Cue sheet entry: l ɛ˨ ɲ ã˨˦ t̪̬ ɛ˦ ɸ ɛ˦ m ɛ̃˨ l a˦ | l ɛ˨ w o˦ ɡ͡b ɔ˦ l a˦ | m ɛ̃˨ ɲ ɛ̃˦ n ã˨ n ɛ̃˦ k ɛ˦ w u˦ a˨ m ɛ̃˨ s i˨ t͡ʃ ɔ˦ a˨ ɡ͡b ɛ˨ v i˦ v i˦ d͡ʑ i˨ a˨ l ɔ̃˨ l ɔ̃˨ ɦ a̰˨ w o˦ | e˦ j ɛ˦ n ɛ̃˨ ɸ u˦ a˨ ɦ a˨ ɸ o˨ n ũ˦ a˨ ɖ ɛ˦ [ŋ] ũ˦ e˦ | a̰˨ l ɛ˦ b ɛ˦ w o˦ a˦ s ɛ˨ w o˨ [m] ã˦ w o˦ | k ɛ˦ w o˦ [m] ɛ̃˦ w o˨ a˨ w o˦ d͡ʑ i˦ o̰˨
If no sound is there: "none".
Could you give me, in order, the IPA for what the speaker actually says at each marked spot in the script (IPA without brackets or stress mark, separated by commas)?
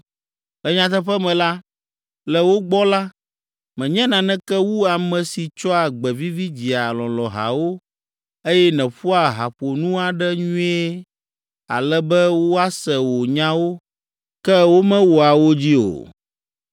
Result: ɲ, ɲ, m